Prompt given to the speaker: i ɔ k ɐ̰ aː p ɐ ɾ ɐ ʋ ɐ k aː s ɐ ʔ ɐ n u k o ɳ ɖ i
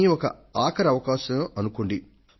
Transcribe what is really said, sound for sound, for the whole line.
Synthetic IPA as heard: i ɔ k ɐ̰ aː k ɐ ɾ ɐ ʋ ɐ k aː ʃ ɐ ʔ ɐ n u k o ɳ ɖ i